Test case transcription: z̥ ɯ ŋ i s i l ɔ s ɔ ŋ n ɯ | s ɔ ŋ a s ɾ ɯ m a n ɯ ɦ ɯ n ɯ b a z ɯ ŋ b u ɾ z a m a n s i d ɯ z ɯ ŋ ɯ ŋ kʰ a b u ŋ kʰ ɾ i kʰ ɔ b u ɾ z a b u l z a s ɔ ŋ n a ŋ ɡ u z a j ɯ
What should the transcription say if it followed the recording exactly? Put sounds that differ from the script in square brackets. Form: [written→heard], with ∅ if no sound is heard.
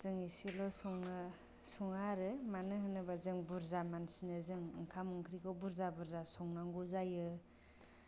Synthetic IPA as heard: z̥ ɯ ŋ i s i l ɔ s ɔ ŋ n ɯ | s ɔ ŋ a [s→∅] ɾ ɯ m a n ɯ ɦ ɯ n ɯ b a z ɯ ŋ b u ɾ z a m a n s i [d→n] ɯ z ɯ ŋ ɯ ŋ kʰ a [b→m] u ŋ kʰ ɾ i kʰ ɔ b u ɾ z a b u [l→ɾ] z a s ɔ ŋ n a ŋ ɡ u z a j ɯ